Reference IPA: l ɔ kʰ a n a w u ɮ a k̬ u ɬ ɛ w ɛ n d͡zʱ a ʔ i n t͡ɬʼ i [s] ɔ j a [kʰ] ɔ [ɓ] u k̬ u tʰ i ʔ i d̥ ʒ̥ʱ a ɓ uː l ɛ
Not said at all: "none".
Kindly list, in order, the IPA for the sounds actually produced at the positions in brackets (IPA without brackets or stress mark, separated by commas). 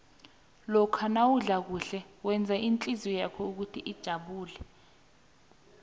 z, kʰ, none